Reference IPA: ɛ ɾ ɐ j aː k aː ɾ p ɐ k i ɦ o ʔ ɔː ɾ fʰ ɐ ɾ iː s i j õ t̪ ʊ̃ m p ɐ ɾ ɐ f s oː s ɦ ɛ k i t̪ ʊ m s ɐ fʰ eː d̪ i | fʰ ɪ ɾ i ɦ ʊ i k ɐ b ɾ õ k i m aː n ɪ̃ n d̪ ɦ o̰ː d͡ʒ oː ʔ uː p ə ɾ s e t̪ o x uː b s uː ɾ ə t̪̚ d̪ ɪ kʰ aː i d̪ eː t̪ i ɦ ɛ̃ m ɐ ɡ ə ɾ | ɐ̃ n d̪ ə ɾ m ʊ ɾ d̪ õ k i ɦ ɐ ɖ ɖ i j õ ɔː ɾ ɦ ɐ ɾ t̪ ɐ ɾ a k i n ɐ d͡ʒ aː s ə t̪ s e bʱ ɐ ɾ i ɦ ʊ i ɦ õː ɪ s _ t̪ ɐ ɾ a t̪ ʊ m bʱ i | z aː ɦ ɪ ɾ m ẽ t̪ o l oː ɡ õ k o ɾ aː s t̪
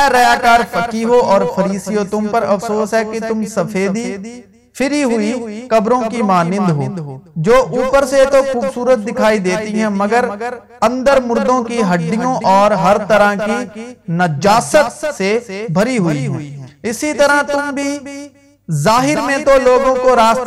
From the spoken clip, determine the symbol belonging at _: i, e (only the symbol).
i